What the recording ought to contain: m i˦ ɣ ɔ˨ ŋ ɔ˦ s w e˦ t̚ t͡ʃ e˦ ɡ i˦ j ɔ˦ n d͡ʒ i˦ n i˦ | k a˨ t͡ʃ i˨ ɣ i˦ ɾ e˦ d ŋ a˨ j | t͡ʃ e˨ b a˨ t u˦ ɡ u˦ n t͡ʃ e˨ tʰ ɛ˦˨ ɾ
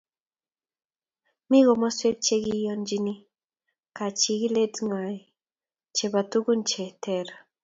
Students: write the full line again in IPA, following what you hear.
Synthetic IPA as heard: m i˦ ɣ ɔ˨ m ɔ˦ s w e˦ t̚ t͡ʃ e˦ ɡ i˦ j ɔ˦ n d͡ʒ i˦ n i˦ | k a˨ t͡ʃ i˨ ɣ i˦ l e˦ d ŋ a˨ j | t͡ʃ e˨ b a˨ t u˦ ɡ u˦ n t͡ʃ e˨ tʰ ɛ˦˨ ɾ